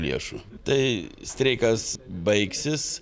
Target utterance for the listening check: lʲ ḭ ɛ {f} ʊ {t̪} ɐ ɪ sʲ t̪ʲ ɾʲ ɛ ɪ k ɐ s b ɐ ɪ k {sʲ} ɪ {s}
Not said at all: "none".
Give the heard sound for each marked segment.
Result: ʃ, t̪, sʲ, s

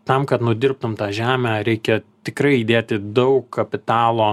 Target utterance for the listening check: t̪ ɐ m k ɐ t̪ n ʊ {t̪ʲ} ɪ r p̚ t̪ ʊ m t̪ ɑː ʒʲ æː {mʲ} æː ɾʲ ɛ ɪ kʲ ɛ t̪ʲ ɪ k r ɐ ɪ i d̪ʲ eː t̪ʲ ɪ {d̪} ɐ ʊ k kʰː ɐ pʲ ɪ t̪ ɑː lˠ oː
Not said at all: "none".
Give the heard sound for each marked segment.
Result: d̪ʲ, mʲ, d̪

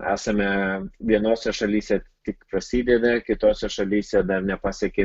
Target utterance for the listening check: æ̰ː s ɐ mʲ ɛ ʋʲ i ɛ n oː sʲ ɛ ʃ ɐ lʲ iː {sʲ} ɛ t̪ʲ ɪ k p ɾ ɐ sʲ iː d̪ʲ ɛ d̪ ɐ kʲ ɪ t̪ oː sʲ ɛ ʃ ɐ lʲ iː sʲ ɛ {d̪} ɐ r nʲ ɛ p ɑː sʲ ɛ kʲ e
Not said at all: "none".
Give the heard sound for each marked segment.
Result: sʲ, d̪

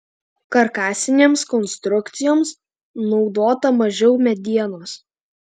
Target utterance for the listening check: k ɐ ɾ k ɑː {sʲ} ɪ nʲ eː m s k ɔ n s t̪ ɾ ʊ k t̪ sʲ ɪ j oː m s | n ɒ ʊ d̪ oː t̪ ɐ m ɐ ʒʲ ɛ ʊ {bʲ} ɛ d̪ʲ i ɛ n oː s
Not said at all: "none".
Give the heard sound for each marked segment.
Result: sʲ, mʲ

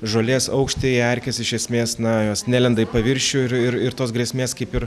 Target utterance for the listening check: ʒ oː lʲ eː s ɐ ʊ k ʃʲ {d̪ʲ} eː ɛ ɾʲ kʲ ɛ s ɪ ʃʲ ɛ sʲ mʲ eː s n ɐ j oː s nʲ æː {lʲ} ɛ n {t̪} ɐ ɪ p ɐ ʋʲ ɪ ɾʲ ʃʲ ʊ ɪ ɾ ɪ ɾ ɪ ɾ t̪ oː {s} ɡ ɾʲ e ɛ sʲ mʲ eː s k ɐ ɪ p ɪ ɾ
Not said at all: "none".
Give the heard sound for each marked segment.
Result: t̪ʲ, lʲ, d̪, s

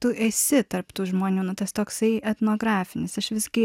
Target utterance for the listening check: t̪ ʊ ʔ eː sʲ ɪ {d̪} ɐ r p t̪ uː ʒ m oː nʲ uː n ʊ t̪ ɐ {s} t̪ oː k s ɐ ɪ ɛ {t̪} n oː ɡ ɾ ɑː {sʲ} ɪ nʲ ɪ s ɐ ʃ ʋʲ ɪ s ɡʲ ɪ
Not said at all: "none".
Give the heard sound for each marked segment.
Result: t̪, s, t̪, fʲ

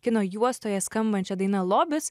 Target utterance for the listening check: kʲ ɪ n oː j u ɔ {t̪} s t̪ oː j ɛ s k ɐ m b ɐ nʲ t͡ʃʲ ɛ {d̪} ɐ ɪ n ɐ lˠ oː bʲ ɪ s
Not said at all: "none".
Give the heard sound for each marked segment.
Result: none, d̪

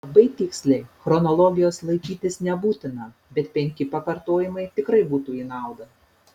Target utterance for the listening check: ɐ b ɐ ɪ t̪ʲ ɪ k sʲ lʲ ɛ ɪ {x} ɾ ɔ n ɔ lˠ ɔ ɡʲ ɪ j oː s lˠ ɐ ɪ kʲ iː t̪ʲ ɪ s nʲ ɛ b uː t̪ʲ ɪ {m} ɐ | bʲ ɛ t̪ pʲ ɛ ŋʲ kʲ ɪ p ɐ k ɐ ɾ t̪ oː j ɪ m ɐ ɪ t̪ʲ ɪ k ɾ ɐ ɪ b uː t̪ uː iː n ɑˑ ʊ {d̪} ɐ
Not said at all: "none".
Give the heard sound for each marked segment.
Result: x, n, d̪

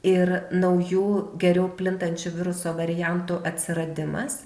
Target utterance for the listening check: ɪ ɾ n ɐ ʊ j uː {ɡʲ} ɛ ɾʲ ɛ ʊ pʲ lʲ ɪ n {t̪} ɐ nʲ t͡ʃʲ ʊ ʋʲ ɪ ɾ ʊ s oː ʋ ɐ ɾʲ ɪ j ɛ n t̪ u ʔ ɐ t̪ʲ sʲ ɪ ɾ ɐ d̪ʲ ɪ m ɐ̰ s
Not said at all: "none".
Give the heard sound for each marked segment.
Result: ɡʲ, t̪

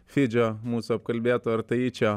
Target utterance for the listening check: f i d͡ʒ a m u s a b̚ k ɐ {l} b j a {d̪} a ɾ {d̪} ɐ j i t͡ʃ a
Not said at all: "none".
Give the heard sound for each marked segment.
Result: l, t̪, t̪

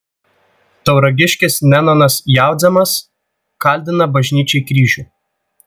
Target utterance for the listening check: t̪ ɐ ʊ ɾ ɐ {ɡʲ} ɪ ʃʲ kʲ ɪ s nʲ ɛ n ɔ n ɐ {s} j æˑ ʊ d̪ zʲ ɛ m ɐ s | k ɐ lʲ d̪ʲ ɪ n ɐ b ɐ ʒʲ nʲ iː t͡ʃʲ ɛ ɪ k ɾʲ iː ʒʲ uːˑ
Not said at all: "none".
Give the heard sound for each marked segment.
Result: ɡʲ, s

